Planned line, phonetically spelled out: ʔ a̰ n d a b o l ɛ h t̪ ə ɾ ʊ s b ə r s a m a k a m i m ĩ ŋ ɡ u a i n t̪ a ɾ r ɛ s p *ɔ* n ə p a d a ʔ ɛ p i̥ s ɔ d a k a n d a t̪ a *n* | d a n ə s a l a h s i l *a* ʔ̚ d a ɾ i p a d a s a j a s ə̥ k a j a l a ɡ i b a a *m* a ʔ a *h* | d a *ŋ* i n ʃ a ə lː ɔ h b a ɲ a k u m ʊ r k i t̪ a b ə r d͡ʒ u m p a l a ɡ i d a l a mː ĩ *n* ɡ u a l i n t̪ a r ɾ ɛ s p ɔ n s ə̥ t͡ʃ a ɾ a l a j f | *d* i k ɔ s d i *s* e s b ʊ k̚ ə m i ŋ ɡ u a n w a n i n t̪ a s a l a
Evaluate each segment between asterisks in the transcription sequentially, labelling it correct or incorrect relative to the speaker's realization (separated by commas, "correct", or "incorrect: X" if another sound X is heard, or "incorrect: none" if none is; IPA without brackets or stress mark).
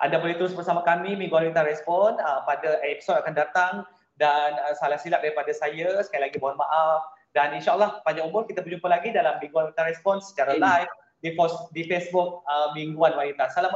correct, incorrect: ŋ, correct, correct, incorrect: f, incorrect: n, incorrect: ŋ, correct, incorrect: f